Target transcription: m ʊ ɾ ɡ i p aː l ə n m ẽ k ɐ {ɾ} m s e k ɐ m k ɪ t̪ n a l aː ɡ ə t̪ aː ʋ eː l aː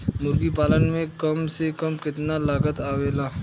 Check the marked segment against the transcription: incorrect: none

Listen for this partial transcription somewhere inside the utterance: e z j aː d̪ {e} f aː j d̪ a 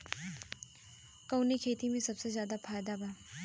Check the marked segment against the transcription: incorrect: a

